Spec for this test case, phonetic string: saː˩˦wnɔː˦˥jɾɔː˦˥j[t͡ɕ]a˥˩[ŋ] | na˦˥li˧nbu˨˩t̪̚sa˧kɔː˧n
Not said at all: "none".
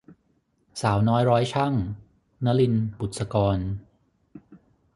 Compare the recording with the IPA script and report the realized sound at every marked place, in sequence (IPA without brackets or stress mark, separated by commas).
t͡ɕʰ, ŋ